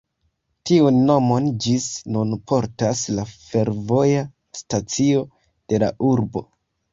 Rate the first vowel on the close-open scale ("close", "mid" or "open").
close